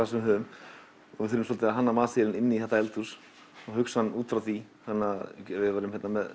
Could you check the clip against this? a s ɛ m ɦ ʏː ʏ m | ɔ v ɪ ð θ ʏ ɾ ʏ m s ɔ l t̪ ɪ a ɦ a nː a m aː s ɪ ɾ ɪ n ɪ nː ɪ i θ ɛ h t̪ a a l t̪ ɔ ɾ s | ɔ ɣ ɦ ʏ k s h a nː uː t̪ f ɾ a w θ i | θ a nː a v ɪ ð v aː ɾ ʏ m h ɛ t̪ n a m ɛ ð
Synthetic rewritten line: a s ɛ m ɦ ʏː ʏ m | ɔ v ɪ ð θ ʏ ɾ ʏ m s ɔ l t̪ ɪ a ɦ a nː a m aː s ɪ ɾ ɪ n ɪ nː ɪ i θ ɛ h t̪ a ɛ l t̪ u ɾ s | ɔ ɣ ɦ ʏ k s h a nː uː t̪ f ɾ a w θ i | h a nː a v ɪ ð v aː ɾ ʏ m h ɛ t̪ n a m ɛ ð